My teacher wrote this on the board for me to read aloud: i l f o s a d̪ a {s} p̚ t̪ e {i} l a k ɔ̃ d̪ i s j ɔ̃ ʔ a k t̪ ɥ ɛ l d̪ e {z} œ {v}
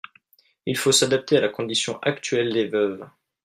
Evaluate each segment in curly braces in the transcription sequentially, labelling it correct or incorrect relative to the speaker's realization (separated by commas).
incorrect, incorrect, incorrect, correct